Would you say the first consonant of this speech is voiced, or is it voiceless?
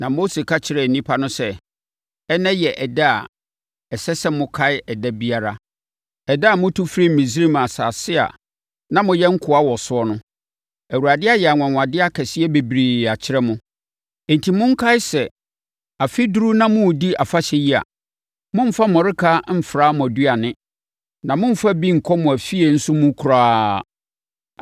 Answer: voiced